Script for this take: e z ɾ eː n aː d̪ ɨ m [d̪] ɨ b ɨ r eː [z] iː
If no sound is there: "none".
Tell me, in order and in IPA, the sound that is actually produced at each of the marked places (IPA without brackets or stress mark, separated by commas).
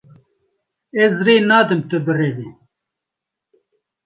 t̪, v